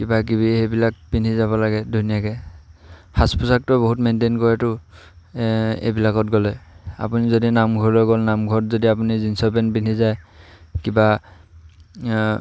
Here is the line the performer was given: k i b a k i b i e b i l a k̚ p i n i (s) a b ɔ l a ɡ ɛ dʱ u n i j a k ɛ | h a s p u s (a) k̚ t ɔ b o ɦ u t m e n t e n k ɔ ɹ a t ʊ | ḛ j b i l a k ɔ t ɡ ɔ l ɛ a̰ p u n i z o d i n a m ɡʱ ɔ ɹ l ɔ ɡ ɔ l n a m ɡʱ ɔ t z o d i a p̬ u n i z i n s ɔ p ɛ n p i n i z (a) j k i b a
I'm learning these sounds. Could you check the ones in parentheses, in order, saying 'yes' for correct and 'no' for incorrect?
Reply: no, yes, yes

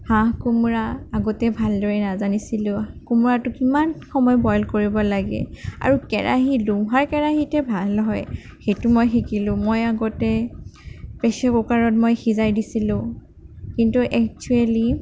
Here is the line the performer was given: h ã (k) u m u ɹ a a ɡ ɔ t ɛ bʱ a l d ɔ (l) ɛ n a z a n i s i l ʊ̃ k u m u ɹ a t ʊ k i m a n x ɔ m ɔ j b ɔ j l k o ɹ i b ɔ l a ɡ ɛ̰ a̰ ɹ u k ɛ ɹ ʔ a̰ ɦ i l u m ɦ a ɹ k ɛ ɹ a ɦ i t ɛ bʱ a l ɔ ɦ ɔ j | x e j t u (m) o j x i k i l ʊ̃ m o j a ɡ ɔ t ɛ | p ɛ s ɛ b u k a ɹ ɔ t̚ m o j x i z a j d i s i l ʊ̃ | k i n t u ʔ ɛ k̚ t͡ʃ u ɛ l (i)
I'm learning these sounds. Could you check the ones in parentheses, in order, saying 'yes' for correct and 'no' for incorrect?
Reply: yes, no, yes, yes

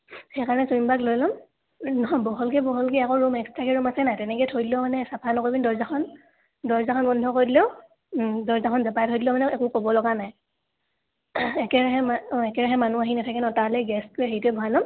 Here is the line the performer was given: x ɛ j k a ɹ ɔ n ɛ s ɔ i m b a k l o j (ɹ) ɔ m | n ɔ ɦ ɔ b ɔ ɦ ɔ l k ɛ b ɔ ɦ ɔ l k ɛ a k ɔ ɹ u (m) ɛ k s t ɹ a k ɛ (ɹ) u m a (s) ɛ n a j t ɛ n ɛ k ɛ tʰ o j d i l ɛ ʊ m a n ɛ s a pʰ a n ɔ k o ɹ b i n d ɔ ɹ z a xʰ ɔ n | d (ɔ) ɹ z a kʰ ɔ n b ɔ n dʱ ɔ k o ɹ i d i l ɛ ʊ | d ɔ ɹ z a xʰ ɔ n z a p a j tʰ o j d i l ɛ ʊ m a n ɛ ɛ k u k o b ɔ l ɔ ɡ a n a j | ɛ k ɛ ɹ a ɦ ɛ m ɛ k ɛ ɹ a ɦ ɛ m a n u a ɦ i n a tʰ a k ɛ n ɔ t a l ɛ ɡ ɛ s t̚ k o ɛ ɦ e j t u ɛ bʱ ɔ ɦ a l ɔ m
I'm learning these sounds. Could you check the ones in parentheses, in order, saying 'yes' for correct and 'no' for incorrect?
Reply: no, yes, yes, yes, yes

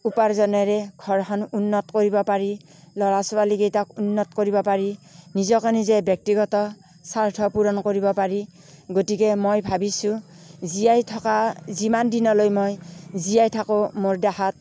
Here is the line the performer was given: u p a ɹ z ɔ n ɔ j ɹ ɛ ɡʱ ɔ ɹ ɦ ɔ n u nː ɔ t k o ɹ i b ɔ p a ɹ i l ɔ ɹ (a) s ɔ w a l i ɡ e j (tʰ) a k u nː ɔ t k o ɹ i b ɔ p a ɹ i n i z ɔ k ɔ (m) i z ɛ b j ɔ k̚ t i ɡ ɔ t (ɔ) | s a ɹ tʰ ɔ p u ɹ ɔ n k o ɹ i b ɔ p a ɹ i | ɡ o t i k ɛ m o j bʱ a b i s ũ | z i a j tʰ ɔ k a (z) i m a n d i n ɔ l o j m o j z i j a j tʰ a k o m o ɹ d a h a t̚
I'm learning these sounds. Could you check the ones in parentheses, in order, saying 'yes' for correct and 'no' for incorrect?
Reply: yes, no, no, yes, yes

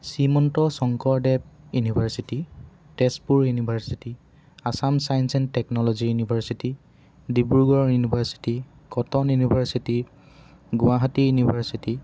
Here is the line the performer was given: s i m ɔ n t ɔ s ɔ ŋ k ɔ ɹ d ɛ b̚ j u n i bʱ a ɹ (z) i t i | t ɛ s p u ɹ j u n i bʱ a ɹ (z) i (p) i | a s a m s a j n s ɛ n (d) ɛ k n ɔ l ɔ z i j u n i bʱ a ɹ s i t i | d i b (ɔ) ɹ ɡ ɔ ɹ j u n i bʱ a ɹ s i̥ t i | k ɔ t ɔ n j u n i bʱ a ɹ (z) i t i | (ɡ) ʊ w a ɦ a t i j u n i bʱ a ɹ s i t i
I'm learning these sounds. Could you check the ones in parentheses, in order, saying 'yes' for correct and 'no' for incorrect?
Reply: no, no, no, no, no, no, yes

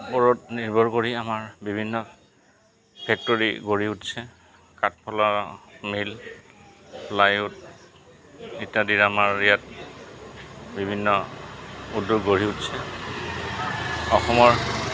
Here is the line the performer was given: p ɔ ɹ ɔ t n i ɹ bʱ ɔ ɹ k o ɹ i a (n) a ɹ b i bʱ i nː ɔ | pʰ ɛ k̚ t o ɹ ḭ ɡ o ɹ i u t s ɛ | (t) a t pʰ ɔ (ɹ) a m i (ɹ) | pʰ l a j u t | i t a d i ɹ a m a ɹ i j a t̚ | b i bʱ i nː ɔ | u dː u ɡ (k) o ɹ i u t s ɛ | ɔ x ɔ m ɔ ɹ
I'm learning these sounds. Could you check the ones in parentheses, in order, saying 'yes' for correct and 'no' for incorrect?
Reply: no, no, no, no, no

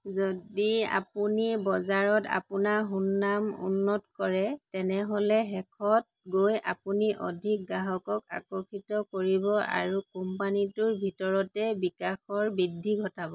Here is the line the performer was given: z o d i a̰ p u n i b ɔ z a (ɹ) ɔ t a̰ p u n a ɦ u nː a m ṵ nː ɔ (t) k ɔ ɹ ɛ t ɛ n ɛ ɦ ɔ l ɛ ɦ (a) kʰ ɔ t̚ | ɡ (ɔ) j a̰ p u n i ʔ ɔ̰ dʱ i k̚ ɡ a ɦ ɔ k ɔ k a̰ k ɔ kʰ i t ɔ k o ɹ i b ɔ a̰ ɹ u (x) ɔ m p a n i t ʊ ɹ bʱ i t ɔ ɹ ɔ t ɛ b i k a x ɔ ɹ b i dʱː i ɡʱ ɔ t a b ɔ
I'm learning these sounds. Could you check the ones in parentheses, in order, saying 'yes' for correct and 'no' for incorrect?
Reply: yes, yes, no, no, no

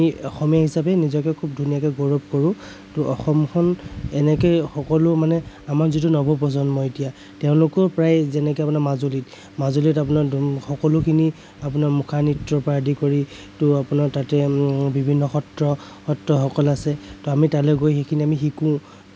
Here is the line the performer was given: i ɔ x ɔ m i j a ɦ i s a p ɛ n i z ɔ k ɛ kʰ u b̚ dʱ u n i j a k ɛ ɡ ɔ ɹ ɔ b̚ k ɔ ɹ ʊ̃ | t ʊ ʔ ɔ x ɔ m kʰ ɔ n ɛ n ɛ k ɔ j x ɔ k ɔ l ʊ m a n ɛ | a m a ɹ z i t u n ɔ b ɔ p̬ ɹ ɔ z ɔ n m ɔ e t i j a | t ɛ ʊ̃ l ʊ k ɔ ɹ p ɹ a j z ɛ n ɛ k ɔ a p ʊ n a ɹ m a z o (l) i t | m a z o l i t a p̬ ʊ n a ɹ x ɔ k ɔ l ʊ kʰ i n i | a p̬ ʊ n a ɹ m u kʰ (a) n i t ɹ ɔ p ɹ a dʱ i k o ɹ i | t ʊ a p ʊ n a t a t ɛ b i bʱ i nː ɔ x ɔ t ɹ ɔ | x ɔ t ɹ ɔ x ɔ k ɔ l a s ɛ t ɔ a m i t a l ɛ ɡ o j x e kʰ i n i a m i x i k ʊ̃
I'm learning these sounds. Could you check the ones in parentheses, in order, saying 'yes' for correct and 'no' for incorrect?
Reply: yes, yes

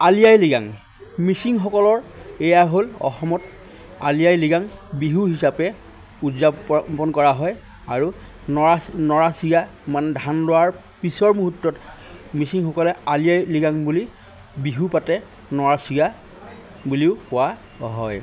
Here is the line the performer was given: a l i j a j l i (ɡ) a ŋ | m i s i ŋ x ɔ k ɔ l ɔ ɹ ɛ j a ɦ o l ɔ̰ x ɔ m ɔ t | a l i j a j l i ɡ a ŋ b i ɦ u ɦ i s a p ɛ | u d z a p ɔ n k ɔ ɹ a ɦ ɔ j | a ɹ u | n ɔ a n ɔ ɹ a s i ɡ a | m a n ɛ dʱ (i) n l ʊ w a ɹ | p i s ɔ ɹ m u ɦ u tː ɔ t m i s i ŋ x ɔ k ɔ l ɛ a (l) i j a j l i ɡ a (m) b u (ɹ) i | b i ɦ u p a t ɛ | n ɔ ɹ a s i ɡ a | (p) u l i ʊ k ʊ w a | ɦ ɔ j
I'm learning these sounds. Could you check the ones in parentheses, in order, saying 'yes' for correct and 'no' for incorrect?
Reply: yes, no, yes, no, no, no

